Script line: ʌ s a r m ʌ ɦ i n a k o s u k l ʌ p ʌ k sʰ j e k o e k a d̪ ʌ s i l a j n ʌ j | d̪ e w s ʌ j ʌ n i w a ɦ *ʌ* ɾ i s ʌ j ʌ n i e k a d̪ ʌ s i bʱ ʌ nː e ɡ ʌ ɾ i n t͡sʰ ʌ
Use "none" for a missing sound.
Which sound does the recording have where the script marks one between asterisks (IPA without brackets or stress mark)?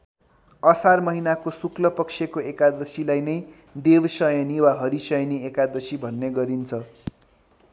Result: ʌ